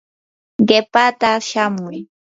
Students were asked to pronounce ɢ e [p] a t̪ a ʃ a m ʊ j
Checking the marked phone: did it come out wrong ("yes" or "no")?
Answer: no